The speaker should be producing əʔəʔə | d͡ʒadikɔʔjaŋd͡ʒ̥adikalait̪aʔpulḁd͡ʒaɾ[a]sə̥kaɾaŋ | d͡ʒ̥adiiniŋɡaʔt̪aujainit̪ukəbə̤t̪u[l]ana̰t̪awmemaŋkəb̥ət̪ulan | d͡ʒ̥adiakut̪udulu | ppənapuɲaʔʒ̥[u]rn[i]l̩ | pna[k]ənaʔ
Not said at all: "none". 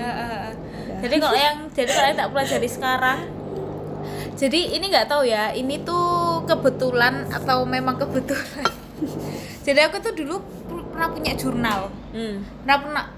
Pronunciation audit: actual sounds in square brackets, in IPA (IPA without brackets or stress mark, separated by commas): i, l, u, a, p